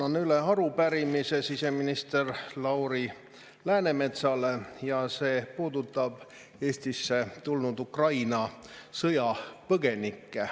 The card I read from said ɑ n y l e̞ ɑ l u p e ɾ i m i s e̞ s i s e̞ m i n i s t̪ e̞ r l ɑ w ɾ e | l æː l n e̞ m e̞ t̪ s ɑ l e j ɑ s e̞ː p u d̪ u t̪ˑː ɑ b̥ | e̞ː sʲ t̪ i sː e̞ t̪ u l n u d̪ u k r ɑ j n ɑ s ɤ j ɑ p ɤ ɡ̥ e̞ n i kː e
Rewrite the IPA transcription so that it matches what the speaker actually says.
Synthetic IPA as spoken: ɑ n y l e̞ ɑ ɾ u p æ ɾ i m i s e̞ s i s e̞ m i n i s t̪ e̞ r l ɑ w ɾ i | l æː n e̞ m e̞ t̪ s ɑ l e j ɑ s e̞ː p uː d̪ u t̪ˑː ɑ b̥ | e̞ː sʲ t̪ i sː e̞ t̪ u l n u d̪ u k r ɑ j n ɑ s ɤ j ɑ p ɤ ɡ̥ e̞ n i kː e